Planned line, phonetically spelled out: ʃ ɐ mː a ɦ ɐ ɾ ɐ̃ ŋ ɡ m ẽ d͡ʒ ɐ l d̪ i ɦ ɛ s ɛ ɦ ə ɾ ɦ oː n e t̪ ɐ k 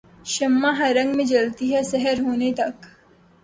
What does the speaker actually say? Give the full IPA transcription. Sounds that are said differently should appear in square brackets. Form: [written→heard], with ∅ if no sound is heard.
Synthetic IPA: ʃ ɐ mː a ɦ ɐ ɾ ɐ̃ ŋ ɡ m ẽ d͡ʒ ɐ l [d̪→t̪] i ɦ ɛ s ɛ ɦ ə ɾ ɦ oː n e t̪ ɐ k

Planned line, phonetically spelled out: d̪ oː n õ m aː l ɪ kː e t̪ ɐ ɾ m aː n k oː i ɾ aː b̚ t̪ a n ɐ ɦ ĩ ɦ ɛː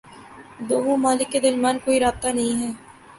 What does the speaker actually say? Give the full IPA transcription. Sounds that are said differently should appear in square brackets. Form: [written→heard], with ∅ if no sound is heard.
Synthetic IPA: d̪ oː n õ m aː l ɪ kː e [t̪→d̪] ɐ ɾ m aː n k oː i ɾ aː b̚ t̪ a n ɐ ɦ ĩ ɦ ɛː

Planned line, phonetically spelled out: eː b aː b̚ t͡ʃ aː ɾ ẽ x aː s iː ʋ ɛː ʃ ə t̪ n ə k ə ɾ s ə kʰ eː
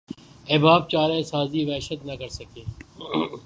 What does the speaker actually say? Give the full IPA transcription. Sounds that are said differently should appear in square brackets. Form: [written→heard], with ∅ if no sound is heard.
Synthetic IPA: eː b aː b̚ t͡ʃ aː ɾ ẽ [x→s] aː [s→z] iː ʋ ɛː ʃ ə t̪ n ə k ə ɾ s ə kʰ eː

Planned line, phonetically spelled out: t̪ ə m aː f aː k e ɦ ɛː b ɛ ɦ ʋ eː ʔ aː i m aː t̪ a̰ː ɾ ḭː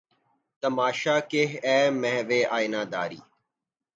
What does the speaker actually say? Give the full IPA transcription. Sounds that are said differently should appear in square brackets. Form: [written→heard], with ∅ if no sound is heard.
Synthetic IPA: t̪ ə m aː [f→ʃ] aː k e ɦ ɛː [b→m] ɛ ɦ ʋ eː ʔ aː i [m→n] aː [t̪→d̪] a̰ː ɾ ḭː

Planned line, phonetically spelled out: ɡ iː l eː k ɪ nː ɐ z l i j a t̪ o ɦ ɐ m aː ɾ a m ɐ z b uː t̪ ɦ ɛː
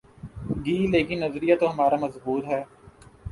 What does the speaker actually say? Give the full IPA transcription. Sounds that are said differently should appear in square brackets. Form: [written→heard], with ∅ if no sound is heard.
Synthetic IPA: ɡ iː l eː k ɪ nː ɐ z [l→ɾ] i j a t̪ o ɦ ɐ m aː ɾ a m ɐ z b uː t̪ ɦ ɛː

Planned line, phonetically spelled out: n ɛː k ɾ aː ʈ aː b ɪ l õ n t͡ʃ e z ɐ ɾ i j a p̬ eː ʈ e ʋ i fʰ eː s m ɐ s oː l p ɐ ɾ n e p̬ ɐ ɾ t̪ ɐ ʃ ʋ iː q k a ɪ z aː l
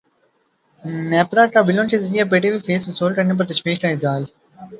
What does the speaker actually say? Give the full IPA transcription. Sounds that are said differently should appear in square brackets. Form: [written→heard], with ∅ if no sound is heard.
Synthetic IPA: n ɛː [k→p] ɾ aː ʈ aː b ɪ l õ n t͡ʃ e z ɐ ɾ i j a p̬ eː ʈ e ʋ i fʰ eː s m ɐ s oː l [p→k] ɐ ɾ n e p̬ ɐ ɾ t̪ ɐ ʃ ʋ iː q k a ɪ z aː l

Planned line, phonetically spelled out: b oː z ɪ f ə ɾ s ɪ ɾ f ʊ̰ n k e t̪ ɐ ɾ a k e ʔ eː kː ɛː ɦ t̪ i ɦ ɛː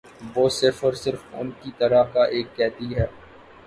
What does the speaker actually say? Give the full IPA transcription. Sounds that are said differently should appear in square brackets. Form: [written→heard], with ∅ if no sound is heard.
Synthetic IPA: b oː [z→s] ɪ f ə ɾ s ɪ ɾ f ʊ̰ n k [e→i] t̪ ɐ ɾ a k [e→a] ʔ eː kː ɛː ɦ t̪ i ɦ ɛː

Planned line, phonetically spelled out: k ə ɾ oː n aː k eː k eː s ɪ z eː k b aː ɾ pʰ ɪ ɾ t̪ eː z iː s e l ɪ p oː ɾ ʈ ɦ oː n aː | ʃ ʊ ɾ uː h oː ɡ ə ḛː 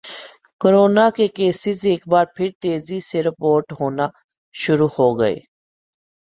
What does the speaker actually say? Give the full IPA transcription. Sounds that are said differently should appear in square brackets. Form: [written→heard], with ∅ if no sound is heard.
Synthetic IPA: k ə ɾ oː n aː k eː k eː s ɪ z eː k b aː ɾ pʰ ɪ ɾ t̪ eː z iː s e [l→ɾ] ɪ p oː ɾ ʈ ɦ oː n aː | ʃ ʊ ɾ uː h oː ɡ ə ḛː

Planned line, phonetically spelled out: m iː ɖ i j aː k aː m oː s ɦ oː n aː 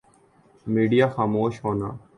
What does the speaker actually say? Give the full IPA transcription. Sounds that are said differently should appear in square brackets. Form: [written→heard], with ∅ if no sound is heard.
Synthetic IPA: m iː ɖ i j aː [k→x] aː m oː [s→ʃ] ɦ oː n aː

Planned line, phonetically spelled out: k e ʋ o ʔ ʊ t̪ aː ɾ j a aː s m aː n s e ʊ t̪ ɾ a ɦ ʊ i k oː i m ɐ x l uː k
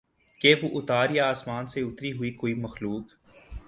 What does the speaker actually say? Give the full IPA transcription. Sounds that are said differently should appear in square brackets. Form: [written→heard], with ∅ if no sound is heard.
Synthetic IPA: k e ʋ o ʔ ʊ t̪ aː ɾ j a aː s m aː n s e ʊ t̪ ɾ [a→i] ɦ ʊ i k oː i m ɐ x l uː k

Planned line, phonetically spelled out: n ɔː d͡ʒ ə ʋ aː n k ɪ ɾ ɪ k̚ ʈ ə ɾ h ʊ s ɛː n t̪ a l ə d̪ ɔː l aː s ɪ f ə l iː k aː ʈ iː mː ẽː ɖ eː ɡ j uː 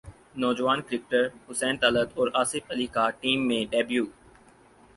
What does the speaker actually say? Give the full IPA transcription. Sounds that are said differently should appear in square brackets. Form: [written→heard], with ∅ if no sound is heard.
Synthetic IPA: n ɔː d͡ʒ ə ʋ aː n k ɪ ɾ ɪ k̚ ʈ ə ɾ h ʊ s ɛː n t̪ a l ə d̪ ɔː [l→ɾ] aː s ɪ f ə l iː k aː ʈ iː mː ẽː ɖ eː [ɡ→b] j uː

